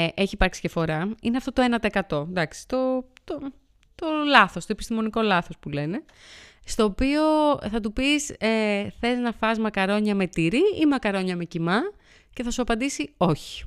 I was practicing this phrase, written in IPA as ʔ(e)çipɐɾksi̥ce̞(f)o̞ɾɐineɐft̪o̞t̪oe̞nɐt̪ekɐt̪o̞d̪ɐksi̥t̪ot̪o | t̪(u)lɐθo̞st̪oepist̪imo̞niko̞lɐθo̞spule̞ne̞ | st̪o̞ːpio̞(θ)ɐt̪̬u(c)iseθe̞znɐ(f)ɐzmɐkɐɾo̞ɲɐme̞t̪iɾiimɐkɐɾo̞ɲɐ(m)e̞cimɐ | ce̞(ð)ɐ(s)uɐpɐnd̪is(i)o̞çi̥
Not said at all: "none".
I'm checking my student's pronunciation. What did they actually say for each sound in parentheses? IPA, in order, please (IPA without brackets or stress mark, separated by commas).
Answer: e, f, o, θ, p, f, m, θ, s, i